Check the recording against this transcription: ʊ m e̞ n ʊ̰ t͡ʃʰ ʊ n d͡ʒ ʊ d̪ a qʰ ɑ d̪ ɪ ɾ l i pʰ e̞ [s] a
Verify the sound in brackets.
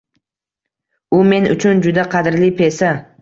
correct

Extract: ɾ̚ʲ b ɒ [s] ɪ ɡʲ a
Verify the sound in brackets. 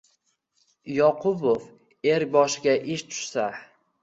incorrect: ʃ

